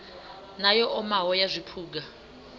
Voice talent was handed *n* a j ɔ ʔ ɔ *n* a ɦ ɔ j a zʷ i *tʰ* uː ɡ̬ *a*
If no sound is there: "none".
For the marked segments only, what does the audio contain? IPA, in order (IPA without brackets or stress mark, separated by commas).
n, m, pʰ, a